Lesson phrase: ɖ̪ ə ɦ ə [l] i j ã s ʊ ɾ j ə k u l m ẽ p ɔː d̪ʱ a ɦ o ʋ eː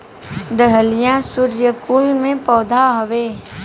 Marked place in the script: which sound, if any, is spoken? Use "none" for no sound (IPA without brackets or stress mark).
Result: l